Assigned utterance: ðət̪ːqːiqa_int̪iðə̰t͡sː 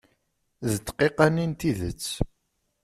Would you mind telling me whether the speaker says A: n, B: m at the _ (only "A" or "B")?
A